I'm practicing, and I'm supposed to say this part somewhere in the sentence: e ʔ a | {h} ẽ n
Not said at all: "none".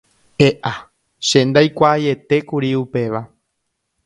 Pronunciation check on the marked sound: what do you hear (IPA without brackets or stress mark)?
ʃ